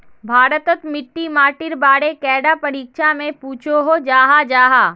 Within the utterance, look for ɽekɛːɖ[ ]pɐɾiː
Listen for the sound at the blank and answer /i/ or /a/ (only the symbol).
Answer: a